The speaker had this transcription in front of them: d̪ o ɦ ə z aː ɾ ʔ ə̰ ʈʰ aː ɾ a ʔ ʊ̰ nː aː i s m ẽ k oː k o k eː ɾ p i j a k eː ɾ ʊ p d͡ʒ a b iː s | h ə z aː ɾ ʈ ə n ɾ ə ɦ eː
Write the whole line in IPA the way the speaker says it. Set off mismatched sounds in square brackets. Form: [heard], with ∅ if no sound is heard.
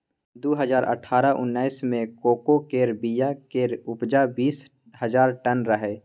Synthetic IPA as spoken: d̪ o ɦ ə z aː ɾ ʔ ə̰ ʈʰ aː ɾ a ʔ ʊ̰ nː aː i s m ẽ k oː k o k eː ɾ [b] i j a k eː ɾ ʊ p d͡ʒ a b iː s | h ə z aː ɾ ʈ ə n ɾ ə ɦ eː